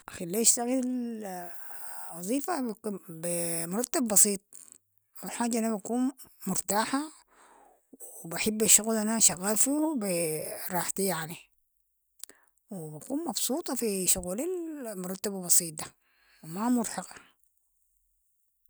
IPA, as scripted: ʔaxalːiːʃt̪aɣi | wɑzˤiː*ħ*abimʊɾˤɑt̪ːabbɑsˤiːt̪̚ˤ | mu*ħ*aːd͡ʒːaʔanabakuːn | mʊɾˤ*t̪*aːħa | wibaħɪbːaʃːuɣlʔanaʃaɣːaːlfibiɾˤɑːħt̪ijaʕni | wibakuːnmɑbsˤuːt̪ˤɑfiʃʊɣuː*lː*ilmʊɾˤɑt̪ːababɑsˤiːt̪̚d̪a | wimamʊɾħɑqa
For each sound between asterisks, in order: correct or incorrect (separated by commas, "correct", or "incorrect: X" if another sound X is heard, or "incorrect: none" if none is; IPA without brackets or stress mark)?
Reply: incorrect: f, correct, correct, incorrect: l